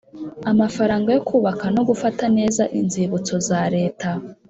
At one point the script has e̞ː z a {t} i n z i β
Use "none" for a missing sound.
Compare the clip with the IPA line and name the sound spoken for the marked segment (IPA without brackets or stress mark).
ʔ